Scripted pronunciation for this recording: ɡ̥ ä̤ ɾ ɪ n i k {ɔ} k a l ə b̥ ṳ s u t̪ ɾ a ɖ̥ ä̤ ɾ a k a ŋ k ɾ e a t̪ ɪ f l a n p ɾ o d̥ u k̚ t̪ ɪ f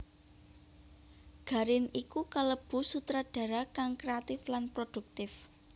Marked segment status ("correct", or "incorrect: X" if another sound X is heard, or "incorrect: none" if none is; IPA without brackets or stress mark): incorrect: u